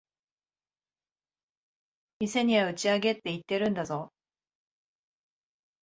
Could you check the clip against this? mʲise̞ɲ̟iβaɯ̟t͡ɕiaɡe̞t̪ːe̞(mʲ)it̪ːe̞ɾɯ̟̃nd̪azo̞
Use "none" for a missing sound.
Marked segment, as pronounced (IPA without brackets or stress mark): none